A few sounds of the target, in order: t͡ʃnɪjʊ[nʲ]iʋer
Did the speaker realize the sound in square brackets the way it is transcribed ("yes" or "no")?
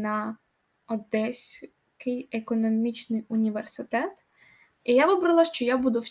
yes